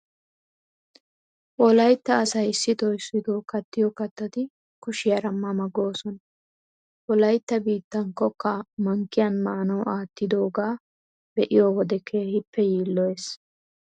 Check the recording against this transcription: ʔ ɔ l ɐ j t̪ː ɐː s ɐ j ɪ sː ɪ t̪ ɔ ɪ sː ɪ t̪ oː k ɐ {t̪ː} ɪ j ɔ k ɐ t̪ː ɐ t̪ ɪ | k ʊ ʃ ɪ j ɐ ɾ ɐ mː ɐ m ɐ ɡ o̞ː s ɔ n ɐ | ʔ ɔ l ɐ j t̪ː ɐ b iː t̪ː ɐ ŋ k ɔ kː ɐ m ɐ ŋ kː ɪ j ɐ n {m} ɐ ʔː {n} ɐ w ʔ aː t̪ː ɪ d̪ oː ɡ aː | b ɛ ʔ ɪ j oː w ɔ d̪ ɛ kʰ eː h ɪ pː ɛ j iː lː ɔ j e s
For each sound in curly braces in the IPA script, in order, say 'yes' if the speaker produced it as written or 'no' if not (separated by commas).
yes, yes, yes